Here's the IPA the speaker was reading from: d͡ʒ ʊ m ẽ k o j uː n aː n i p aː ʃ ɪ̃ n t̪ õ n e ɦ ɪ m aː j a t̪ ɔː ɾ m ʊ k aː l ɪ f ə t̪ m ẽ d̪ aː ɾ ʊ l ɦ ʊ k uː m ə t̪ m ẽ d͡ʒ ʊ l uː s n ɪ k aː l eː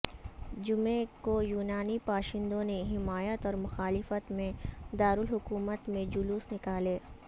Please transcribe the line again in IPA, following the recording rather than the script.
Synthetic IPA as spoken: d͡ʒ ʊ m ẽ k o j uː n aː n i p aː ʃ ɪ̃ n d̪ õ n e ɦ ɪ m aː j ə t̪ ɔː ɾ m ʊ x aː l ɪ f ə t̪ m ẽ d̪ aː ɾ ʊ l ɦ ʊ k uː m ə t̪ m ẽ d͡ʒ ʊ l uː s n ɪ k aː l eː